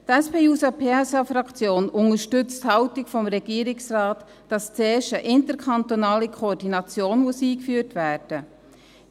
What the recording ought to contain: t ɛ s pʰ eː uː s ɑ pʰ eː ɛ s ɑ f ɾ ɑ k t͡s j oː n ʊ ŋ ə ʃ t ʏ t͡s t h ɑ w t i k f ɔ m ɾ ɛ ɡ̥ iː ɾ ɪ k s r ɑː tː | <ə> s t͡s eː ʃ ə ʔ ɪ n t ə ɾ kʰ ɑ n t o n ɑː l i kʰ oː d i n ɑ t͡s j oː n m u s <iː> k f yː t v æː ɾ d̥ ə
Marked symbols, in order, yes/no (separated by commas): no, yes